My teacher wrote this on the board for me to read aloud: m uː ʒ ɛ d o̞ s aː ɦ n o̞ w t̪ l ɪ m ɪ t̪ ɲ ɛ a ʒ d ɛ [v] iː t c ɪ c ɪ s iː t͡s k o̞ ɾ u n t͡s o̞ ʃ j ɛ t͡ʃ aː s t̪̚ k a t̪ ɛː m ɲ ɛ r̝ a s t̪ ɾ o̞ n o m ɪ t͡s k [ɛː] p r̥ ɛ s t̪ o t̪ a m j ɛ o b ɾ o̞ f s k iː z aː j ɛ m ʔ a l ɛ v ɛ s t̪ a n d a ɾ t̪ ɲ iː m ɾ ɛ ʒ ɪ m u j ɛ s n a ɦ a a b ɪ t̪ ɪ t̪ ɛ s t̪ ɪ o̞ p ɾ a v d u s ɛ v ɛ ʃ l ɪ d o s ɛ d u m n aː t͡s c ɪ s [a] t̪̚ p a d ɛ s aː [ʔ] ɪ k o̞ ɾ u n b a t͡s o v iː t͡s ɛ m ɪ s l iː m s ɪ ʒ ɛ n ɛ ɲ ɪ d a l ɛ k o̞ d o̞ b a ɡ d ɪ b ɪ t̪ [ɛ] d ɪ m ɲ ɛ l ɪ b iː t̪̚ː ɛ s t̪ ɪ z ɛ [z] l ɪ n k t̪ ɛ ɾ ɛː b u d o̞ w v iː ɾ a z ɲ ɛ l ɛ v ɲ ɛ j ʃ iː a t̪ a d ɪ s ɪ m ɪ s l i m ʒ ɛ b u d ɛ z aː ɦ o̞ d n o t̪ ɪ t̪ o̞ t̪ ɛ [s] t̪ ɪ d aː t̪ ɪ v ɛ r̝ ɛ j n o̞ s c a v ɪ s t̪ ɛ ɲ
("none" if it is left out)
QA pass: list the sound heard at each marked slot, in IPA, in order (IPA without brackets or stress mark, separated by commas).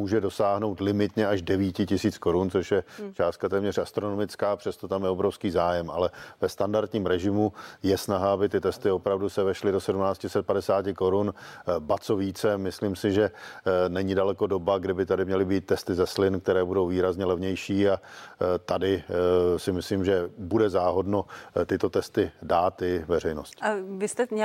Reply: v, aː, ɛ, c, a, s, s